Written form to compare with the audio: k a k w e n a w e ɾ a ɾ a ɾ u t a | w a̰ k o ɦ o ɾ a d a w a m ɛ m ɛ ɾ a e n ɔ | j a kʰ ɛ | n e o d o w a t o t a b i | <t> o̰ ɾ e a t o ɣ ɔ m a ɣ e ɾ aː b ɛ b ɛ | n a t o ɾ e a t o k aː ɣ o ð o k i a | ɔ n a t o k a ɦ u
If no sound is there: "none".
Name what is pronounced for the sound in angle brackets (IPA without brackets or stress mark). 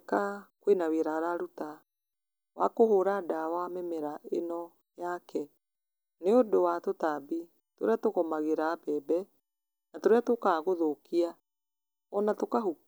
t